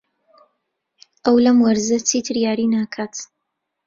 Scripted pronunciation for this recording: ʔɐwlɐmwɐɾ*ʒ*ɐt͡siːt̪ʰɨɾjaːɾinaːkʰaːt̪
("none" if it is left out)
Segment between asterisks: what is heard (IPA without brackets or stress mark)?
z